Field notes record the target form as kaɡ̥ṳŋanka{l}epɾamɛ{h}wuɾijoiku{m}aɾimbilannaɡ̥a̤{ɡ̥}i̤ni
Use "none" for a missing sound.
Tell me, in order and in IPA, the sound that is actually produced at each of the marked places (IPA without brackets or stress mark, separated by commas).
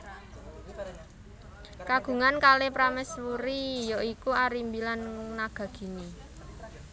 l, s, none, ɡ̥